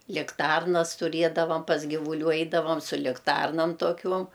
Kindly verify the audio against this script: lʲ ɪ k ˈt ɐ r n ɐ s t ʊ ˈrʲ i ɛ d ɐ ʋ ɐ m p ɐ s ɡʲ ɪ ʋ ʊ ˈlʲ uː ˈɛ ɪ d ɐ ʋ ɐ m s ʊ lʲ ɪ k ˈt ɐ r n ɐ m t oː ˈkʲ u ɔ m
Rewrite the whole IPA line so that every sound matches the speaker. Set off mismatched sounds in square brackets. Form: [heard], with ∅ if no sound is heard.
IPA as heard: lʲ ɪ k ˈt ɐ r n ɐ s t ʊ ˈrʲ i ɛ d ɐ ʋ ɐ m p ɐ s ɡʲ ɪ ʋ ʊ ˈlʲ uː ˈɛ ɪ d ɐ ʋ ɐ m s ʊ lʲ ɪ k ˈt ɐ r n ɐ m t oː ˈkʲ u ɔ m